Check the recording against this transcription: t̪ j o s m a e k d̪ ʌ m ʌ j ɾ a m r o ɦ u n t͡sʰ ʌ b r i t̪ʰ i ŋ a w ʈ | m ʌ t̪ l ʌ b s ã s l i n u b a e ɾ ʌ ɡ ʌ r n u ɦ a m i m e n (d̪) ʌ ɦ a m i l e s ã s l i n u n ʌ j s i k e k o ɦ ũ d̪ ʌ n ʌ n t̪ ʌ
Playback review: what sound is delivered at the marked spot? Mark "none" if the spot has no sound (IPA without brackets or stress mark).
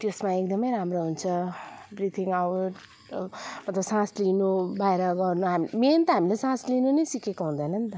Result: t̪